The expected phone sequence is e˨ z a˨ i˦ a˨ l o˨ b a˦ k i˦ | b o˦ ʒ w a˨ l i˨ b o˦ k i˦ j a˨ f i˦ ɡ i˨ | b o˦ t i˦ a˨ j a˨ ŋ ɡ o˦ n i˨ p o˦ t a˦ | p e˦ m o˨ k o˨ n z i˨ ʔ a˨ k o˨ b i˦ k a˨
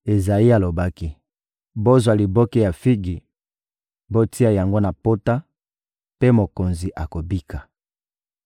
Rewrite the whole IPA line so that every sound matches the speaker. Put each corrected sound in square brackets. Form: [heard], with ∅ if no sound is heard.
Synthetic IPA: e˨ z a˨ i˦ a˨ l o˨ b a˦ k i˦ | b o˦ [z] w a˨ l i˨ b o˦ k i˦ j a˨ f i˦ ɡ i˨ | b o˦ t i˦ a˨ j a˨ ŋ ɡ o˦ n [a˨] p o˦ t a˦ | p e˦ m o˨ k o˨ n z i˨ ʔ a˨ k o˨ b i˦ k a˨